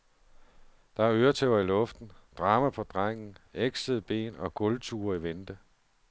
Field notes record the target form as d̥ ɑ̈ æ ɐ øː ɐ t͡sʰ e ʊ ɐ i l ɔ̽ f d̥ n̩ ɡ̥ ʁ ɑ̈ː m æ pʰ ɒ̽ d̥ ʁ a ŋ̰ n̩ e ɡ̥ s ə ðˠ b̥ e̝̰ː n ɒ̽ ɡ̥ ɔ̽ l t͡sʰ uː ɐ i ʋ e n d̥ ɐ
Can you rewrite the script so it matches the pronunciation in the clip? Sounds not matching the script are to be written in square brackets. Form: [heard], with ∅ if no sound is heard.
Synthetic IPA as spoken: d̥ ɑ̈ æ ɐ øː ɐ t͡sʰ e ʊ ɐ i l ɔ̽ f d̥ n̩ [d̥] ʁ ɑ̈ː m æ pʰ ɒ̽ d̥ ʁ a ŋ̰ n̩ e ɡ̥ s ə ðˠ b̥ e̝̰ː n ɒ̽ ɡ̥ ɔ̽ l t͡sʰ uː ɐ i ʋ e n d̥ [ə]